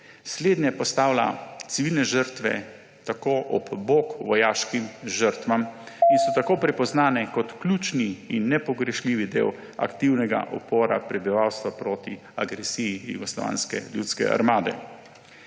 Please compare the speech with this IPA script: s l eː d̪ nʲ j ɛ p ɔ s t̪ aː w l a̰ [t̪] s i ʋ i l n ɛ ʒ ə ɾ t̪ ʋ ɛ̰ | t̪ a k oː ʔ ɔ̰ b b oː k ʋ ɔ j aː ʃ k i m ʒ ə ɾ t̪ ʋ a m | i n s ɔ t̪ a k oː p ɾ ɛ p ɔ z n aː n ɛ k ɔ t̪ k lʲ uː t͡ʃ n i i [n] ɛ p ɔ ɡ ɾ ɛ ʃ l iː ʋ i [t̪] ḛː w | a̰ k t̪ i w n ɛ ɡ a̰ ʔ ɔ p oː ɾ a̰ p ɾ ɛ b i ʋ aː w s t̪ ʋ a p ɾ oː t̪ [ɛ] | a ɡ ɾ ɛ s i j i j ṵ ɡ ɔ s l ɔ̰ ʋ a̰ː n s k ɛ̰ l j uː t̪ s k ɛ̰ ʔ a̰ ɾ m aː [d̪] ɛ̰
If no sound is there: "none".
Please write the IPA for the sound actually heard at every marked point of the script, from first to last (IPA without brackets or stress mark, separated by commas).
t̪, nː, d̪, i, d̪